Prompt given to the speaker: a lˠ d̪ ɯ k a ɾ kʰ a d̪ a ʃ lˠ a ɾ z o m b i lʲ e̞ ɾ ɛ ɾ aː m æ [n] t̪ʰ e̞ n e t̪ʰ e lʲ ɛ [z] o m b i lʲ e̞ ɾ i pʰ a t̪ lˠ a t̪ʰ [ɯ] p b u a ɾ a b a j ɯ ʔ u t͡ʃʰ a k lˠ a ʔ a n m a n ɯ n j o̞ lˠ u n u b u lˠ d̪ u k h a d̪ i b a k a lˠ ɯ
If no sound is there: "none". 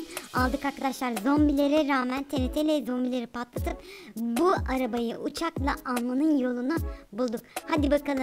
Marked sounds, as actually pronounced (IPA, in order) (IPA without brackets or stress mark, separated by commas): n, z, ɯ